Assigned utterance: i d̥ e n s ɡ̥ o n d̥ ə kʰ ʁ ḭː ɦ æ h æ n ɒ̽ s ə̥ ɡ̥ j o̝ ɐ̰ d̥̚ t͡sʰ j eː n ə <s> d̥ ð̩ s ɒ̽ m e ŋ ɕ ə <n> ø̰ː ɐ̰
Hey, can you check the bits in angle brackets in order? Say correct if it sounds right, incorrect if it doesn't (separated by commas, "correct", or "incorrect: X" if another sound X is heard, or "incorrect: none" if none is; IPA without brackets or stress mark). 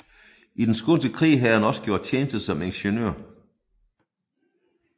correct, correct